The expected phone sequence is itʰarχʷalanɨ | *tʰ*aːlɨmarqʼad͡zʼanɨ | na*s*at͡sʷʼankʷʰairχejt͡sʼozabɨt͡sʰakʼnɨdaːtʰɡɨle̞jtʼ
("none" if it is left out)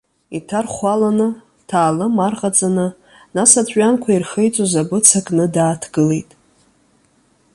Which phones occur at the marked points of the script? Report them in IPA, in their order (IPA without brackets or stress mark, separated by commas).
tʰ, s